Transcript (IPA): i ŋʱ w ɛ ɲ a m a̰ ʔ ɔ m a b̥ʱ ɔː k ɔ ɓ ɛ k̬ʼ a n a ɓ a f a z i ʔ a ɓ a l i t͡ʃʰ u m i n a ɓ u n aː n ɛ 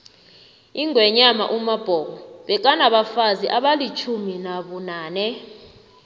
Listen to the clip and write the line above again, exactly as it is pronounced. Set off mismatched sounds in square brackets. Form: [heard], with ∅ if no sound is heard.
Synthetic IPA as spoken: i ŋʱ w ɛ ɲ a m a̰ ʔ [u] m a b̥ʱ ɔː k ɔ ɓ ɛ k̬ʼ a n a ɓ a f a z i ʔ a ɓ a l i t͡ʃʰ u m i n a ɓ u n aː n ɛ